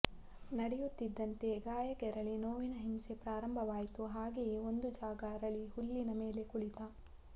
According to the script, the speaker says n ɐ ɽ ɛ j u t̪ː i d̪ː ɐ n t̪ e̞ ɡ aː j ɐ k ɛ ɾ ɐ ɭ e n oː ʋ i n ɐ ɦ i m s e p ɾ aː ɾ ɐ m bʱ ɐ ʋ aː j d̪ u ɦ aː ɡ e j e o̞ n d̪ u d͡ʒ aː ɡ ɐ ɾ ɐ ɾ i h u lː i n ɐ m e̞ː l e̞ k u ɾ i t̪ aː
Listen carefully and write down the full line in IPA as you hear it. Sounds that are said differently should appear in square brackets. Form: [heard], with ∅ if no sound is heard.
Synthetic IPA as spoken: n ɐ ɽ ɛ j u t̪ː i d̪ː ɐ n t̪ e̞ ɡ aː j ɐ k ɛ ɾ ɐ ɭ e n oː ʋ i n ɐ ɦ i m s e p ɾ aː ɾ ɐ m bʱ ɐ ʋ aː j [t̪] u ɦ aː ɡ e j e o̞ n d̪ u d͡ʒ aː ɡ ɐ ɾ ɐ [ɭ] i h u lː i n ɐ m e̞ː l e̞ k u [ɭ] i t̪ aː